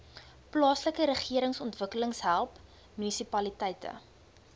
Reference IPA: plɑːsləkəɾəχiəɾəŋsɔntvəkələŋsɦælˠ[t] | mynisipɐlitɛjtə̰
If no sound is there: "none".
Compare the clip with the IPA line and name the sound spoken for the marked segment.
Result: p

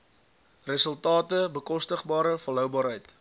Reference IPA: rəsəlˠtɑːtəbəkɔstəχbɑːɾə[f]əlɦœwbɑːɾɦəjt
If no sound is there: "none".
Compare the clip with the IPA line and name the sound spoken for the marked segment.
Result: f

